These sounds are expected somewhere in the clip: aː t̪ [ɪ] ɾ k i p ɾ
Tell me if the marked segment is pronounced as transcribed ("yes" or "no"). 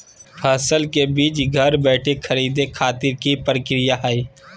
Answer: yes